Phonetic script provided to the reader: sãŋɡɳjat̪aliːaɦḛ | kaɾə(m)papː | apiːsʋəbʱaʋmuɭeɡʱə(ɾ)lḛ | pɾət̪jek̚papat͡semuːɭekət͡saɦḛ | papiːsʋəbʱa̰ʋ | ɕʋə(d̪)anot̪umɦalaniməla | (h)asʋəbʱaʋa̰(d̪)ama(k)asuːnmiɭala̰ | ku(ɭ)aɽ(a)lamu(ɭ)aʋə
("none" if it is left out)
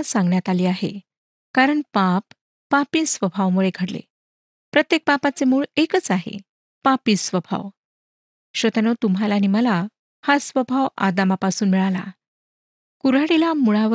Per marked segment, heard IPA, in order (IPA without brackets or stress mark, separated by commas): ɳ, ɽ, t̪, h, d̪, p, ɾ, i, ɭ